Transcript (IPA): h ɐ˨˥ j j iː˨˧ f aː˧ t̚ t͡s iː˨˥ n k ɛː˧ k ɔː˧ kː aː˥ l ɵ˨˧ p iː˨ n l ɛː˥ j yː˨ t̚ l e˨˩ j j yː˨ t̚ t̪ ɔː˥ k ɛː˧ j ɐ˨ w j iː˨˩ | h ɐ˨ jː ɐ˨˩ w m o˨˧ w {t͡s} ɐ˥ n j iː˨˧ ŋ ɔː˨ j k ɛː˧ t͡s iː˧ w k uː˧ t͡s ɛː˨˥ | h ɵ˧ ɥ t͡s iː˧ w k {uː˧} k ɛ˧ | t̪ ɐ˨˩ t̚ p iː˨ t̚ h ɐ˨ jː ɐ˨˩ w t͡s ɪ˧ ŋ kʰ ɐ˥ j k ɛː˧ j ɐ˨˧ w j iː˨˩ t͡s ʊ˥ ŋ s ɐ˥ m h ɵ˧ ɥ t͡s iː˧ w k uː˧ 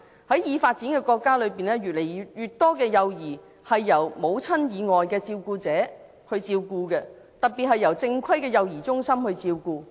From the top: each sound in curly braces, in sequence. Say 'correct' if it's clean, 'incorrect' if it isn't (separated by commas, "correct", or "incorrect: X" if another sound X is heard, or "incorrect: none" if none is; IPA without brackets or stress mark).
incorrect: t͡sʰ, correct